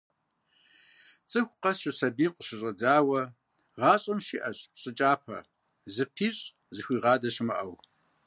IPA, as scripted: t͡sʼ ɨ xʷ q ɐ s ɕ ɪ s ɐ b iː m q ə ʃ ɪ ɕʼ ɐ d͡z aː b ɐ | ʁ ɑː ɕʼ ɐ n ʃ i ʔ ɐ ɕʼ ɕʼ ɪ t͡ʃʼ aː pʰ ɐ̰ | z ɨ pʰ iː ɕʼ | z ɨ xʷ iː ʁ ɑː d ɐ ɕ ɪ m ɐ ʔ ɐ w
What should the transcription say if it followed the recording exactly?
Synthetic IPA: t͡sʼ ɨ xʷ q ɐ s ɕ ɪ s ɐ b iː m q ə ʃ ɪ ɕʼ ɐ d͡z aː w ɐ | ʁ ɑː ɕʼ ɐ m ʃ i ʔ ɐ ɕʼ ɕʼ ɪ t͡ʃʼ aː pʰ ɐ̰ | z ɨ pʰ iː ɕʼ | z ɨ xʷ iː ʁ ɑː d ɐ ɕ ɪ m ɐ ʔ ɐ w

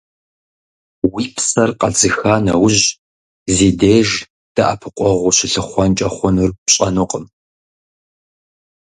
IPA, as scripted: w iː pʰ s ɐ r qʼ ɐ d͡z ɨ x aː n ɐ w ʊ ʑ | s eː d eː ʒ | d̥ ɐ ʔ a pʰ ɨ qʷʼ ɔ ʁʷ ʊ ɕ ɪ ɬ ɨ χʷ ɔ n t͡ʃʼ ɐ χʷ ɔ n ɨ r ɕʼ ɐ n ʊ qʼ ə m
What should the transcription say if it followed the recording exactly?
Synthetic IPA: w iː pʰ s ɐ r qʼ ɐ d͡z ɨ x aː n ɐ w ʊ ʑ | z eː d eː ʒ | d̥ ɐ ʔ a pʰ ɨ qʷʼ ɔ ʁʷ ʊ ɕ ɪ ɬ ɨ χʷ ɔ n t͡ʃʼ ɐ χʷ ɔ n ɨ r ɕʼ ɐ n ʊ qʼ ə m

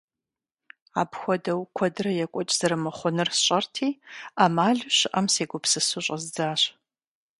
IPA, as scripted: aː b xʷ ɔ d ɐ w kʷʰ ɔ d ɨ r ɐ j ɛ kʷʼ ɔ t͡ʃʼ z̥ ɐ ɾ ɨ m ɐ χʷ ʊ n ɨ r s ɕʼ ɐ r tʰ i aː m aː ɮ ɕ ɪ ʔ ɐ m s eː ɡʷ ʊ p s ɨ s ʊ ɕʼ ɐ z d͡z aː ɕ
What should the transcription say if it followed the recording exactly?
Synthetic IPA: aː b xʷ ɔ d ɐ w kʷʰ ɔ d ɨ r ɐ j ɛ kʷʼ ɔ t͡ʃʼ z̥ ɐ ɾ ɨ m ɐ χʷ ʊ n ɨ r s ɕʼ ɐ r tʰ iː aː m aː ɮ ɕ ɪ ʔ ɐ m s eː ɡʷ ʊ p s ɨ s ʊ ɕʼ ɐ z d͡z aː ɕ

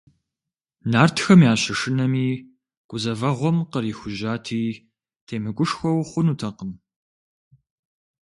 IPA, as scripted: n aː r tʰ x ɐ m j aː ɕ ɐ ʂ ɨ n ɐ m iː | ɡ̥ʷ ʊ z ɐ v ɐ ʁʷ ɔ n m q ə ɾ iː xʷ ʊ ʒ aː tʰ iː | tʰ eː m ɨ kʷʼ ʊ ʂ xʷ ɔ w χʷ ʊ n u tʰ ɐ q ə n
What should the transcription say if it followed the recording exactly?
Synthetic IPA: n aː r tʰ x ɐ m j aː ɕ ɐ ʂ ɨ n ɐ m iː | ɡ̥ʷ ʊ z ɐ v ɐ ʁʷ ɔ m q ə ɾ iː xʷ ʊ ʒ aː tʰ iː | tʰ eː m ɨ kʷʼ ʊ ʂ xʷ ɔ w χʷ ʊ n u tʰ ɐ q ə m

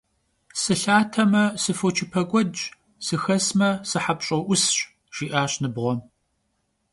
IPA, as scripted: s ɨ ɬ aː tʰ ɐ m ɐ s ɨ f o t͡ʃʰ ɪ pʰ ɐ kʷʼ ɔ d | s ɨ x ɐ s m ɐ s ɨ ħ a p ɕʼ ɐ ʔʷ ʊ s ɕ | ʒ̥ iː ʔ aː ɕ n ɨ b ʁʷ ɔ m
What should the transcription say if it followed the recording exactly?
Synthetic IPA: s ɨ ɬ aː tʰ ɐ m ɐ s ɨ f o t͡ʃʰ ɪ pʰ ɐ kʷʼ ɔ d | s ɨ x ɐ s m ɐ s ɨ ħ a p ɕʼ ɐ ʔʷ ʊ s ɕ | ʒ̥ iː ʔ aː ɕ n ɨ b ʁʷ ɔ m

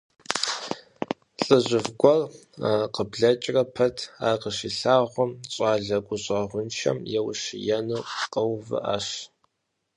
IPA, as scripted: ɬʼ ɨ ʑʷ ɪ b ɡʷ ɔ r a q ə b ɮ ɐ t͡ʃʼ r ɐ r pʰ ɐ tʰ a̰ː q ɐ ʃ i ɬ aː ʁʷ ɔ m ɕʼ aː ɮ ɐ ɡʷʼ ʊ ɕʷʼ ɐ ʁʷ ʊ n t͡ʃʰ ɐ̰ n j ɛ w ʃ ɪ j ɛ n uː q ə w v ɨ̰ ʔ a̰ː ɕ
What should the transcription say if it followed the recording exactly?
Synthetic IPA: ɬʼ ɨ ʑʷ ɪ v ɡʷ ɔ r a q ə b ɮ ɐ t͡ʃʼ r ɐ pʰ ɐ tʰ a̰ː q ə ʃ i ɬ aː ʁʷ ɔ m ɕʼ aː ɮ ɐ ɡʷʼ ʊ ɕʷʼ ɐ ʁʷ ʊ n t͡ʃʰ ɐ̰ m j ɛ w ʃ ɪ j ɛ n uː q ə w v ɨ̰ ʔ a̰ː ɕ

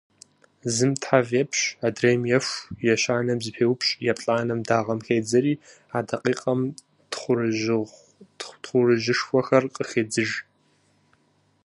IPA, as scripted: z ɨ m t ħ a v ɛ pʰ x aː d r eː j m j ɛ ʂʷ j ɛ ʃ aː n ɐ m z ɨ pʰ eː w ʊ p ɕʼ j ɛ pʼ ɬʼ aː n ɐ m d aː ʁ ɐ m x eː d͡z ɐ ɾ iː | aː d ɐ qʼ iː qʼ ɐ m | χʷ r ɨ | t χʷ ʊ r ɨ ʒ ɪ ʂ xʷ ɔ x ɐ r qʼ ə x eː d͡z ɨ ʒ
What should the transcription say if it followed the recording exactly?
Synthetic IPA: z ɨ m t ħ a v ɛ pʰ ɕ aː d r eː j m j ɛ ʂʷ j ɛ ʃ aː n ɐ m z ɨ pʰ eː w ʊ p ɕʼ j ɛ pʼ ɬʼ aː n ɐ m d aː ʁ ɐ m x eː d͡z ɐ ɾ iː | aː d ɐ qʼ iː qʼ ɐ m | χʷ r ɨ | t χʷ ʊ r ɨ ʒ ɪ ʂ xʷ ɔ x ɐ r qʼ ə x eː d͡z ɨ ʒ

